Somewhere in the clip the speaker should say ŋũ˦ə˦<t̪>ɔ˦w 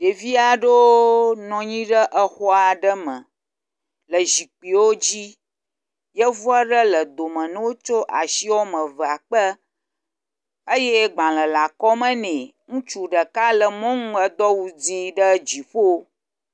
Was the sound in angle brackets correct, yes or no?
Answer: no